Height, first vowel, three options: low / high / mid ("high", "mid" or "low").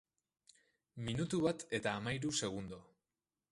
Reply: high